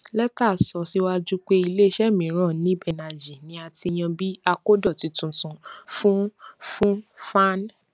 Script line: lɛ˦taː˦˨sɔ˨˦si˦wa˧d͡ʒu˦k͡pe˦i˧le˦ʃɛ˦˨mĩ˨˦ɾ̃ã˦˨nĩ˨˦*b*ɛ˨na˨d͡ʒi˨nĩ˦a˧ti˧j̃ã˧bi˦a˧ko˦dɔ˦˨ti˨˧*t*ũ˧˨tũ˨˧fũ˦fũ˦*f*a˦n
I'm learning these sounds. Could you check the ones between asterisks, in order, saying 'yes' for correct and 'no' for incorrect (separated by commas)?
yes, yes, yes